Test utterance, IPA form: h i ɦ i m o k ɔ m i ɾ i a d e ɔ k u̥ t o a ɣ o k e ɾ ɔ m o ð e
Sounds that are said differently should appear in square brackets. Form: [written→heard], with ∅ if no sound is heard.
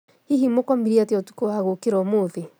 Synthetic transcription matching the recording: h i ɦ i m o k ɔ m i ɾ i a [d→t] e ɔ [k→t] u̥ [t→k] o a ɣ o k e ɾ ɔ m o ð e